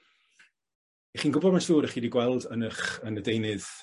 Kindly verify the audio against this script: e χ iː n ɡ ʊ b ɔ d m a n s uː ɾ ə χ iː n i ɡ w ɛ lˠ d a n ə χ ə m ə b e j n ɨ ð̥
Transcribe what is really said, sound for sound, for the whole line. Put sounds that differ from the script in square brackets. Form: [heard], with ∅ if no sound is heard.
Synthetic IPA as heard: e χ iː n ɡ ʊ b ɔ d m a n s uː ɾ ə χ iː [d] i ɡ w ɛ lˠ d [ə] n ə χ ə [n] ə [d] e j n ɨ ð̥